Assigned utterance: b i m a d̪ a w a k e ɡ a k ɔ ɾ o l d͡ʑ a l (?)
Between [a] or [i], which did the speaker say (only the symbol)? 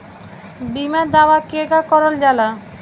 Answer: a